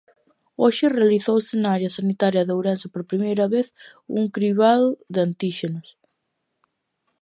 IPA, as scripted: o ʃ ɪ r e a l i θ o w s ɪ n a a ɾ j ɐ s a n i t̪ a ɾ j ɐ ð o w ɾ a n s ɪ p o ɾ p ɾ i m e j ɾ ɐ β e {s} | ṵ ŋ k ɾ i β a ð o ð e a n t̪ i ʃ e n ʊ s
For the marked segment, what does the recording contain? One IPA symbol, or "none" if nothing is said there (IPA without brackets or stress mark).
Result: θ